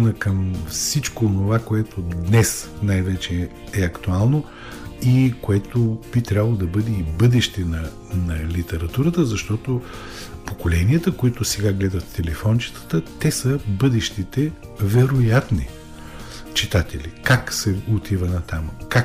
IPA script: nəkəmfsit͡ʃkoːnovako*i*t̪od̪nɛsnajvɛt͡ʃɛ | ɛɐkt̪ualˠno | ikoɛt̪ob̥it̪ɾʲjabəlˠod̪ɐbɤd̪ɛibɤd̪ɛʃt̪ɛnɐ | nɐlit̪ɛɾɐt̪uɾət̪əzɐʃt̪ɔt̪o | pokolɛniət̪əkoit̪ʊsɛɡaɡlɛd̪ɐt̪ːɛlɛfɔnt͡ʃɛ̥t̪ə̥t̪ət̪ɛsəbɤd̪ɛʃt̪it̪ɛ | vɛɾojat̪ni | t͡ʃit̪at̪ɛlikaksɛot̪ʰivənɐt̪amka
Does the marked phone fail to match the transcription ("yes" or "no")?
yes